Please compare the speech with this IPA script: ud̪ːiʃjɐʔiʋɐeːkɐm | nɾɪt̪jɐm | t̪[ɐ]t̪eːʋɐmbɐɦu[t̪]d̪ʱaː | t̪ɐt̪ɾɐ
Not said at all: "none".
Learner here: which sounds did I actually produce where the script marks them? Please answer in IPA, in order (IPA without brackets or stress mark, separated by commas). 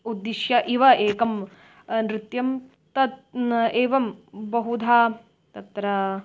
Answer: ɐ, none